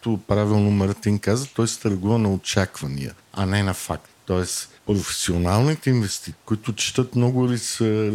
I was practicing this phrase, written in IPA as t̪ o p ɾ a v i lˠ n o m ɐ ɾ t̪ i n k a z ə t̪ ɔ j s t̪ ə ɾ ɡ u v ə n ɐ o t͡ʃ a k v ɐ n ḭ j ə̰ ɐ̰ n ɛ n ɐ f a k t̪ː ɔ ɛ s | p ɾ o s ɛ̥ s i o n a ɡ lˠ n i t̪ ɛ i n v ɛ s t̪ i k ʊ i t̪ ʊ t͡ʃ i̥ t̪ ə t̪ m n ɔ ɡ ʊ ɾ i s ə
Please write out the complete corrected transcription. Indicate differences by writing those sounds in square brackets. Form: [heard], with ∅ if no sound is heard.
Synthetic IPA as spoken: t̪ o p ɾ a v i lˠ n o m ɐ ɾ t̪ i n k a z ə t̪ ɔ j s t̪ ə ɾ ɡ u v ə n ɐ o t͡ʃ a k v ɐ n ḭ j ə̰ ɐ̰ n ɛ n ɐ f a k t̪ː ɔ ɛ s | p ɾ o [f] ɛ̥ s i o n a [∅] lˠ n i t̪ ɛ i n v ɛ s t̪ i k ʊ i t̪ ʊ t͡ʃ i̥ t̪ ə t̪ m n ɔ ɡ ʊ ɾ i s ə